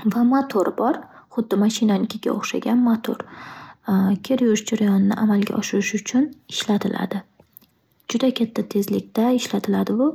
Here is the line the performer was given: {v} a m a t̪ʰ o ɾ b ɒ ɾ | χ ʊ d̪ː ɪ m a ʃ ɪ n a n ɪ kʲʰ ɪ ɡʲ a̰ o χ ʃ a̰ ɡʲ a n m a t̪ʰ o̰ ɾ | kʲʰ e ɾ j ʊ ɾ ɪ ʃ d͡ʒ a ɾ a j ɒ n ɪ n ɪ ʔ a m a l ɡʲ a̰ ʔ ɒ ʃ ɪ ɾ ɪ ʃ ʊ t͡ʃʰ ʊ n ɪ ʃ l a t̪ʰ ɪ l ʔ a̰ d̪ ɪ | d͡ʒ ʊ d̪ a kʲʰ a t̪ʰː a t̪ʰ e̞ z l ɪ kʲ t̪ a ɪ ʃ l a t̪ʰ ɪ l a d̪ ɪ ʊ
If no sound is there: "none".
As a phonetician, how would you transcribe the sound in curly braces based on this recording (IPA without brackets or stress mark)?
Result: v